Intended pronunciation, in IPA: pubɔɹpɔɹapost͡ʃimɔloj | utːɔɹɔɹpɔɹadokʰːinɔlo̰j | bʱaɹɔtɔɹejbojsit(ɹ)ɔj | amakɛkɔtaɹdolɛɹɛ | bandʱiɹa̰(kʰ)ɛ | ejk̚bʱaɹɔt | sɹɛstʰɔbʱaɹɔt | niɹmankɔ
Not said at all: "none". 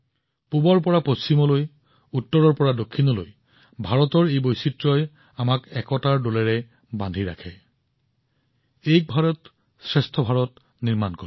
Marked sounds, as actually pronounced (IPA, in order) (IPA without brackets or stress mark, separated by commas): ɹ, kʰ